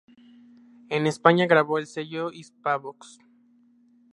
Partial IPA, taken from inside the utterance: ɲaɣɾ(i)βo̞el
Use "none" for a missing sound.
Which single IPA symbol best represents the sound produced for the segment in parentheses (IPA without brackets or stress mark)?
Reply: a